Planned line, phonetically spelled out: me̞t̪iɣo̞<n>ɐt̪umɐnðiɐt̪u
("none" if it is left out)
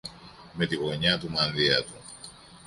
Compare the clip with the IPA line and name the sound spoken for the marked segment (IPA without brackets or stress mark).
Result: ɲ